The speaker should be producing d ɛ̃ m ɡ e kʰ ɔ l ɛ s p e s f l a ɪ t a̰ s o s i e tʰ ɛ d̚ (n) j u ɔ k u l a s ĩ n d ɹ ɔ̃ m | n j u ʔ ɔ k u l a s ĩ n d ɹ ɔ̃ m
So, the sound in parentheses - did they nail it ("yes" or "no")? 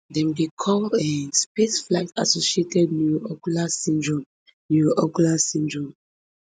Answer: yes